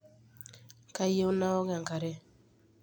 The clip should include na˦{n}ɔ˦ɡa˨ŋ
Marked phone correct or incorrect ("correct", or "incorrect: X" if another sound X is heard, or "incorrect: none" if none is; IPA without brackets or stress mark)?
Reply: incorrect: none